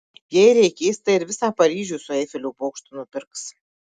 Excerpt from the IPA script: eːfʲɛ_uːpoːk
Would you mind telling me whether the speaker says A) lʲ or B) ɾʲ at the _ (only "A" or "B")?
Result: A